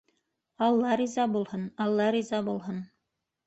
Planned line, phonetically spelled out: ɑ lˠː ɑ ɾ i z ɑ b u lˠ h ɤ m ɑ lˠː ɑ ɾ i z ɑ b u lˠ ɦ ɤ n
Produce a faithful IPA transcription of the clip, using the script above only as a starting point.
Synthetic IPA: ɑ lˠː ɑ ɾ i z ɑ b u lˠ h ɤ n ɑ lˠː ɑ ɾ i z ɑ b u lˠ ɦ ɤ n